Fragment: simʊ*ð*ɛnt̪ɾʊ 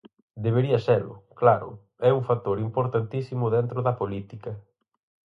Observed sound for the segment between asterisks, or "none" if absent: ð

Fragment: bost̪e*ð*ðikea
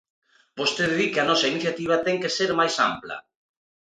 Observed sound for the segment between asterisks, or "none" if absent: ð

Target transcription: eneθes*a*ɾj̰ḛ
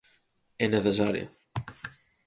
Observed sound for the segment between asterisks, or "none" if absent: a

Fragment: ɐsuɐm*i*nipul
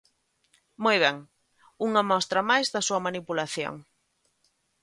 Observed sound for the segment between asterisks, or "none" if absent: a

